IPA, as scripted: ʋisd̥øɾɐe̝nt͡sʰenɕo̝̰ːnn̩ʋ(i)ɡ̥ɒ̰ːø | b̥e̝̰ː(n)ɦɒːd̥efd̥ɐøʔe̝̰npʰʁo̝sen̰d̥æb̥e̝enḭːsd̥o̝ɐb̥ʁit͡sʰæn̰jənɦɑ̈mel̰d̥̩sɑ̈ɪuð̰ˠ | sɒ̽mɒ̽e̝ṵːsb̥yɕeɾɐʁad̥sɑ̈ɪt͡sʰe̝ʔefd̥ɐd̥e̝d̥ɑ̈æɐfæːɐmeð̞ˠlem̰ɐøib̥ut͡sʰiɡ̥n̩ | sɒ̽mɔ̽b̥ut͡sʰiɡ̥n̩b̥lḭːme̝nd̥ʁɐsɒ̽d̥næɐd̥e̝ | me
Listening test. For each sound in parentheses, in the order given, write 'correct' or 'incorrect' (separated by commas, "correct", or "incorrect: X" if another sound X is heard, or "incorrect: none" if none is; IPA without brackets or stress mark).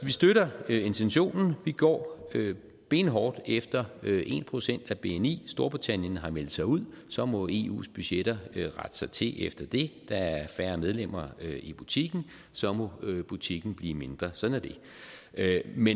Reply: correct, correct